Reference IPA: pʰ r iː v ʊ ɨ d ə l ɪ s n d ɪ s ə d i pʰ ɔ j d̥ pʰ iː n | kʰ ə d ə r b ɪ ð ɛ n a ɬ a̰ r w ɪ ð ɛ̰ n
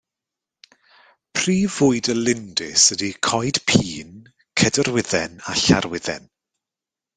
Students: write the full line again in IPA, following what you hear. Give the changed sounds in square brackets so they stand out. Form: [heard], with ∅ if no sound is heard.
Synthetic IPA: pʰ r iː v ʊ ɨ d ə l ɪ [∅] n d ɪ s ə d i [kʰ] ɔ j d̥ pʰ iː n | kʰ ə d ə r [w] ɪ ð ɛ n a ɬ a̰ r w ɪ ð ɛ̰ n

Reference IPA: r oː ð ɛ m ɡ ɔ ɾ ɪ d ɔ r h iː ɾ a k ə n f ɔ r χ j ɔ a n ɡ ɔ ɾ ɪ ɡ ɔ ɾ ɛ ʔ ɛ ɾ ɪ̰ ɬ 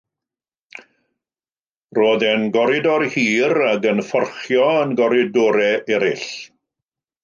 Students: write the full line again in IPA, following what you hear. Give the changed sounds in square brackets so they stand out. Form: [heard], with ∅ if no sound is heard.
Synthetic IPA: r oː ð ɛ [n] ɡ ɔ ɾ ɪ d ɔ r h iː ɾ a [ɡ] ə n f ɔ r χ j ɔ [ə] n ɡ ɔ ɾ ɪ [d] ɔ ɾ ɛ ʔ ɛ ɾ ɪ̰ ɬ

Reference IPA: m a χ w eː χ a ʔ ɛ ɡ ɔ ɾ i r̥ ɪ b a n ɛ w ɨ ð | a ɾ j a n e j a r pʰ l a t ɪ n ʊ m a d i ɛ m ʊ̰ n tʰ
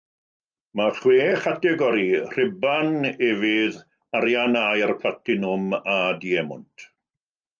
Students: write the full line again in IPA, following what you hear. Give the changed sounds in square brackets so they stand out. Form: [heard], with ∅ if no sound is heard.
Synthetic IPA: m a χ w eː χ a [t] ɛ ɡ ɔ ɾ i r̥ ɪ b a n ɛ [v] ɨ ð | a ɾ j a n [a] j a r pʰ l a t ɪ n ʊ m a d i ɛ m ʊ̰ n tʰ

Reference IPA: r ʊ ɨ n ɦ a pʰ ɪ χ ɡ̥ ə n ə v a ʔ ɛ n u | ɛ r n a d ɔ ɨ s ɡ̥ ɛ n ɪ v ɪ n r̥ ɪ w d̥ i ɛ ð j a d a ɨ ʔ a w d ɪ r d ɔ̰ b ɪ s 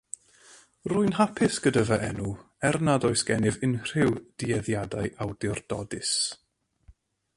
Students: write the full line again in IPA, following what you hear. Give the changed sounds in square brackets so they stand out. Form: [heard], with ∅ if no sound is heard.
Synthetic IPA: r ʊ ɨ n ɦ a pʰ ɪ [s] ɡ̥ ə [d] ə v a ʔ ɛ n u | ɛ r n a d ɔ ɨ s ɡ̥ ɛ n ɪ v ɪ n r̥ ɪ w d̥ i ɛ ð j a d a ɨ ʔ a w d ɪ r d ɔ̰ [d] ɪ s

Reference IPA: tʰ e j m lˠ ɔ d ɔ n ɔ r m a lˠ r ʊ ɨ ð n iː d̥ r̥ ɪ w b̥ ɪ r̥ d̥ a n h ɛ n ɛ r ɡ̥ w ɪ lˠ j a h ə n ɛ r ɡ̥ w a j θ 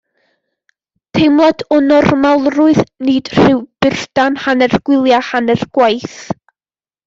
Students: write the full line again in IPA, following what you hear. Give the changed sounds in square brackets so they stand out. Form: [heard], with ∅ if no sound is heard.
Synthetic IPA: tʰ e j m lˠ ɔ d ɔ n ɔ r m a lˠ r ʊ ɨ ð n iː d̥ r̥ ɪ w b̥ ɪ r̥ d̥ a n h [a] n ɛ r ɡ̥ w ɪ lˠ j a h [a] n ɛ r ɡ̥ w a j θ

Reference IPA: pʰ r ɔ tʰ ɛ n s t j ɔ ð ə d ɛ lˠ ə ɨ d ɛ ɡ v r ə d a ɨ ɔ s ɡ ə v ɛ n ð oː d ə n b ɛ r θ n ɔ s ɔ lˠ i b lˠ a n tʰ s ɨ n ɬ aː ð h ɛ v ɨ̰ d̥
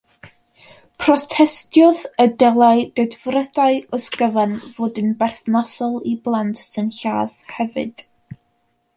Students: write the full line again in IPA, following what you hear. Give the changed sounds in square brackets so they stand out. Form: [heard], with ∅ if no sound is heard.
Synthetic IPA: pʰ r ɔ tʰ ɛ [∅] s t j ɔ ð ə d ɛ lˠ [a] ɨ d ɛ [d] v r ə d a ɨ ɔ s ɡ ə v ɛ n [v] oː d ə n b ɛ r θ n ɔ s ɔ lˠ i b lˠ a n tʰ s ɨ n ɬ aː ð h ɛ v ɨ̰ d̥

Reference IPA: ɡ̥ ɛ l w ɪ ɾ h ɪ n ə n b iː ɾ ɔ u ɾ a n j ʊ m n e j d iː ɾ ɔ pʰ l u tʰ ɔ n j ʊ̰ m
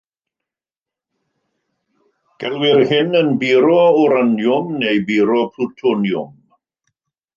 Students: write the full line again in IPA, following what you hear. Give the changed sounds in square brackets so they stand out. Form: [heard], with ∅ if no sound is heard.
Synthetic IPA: ɡ̥ ɛ l w ɪ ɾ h ɪ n ə n b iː ɾ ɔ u ɾ a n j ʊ m n e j [b] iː ɾ ɔ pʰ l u tʰ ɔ n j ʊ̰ m

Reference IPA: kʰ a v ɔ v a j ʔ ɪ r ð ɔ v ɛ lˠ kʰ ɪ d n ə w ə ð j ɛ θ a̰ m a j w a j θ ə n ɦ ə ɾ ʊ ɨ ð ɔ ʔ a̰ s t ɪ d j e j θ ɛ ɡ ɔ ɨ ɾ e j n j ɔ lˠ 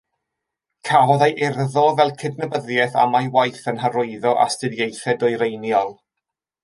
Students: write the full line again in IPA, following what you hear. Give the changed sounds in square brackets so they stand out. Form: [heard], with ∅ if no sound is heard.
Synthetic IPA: kʰ a v ɔ [ð] a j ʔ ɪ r ð ɔ v ɛ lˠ kʰ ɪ d n ə [b] ə ð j ɛ θ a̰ m a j w a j θ ə n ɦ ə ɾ ʊ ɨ ð ɔ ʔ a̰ s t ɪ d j e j θ ɛ [d] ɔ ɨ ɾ e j n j ɔ lˠ

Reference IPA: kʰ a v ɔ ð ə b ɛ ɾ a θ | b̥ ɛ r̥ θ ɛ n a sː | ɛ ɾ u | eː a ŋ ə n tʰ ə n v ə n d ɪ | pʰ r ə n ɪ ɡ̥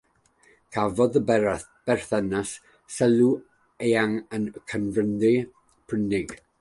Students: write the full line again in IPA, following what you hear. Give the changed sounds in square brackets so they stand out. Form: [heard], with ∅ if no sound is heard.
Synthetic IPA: kʰ a v ɔ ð ə b ɛ ɾ a θ | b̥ ɛ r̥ θ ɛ n a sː | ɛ [l] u | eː a ŋ ə n [kʰ] ə n v ə n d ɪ | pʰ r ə n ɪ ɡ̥

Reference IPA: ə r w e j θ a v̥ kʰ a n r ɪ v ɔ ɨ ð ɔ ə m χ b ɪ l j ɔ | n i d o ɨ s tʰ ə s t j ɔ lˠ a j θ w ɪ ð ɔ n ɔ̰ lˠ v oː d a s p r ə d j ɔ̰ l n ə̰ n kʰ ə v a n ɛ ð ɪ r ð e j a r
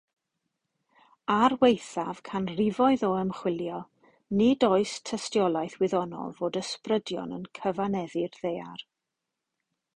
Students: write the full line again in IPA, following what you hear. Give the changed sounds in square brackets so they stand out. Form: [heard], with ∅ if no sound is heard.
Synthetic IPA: [a] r w e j θ a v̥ kʰ a n r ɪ v ɔ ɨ ð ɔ ə m χ [w] ɪ l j ɔ | n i d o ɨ s tʰ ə s t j ɔ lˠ a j θ w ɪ ð ɔ n ɔ̰ lˠ v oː d [ə] s p r ə d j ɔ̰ [∅] n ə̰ n kʰ ə v a n ɛ ð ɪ r ð e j a r

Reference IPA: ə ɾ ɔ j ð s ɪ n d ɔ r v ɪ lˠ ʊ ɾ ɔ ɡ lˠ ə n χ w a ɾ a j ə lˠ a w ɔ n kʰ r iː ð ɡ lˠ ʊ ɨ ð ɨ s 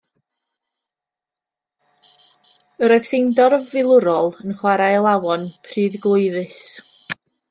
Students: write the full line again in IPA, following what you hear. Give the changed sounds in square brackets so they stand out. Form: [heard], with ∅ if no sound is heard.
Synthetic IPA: ə ɾ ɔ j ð s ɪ n d ɔ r v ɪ lˠ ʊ ɾ ɔ [∅] lˠ ə n χ w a ɾ a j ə lˠ a w ɔ n [pʰ] r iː ð ɡ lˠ ʊ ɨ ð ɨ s

